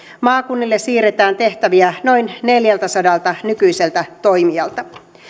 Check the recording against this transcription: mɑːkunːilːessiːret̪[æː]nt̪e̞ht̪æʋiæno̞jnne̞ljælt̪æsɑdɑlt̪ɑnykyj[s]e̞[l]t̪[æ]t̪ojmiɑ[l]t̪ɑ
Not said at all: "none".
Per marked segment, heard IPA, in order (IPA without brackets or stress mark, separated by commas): æː, s, l, æ, l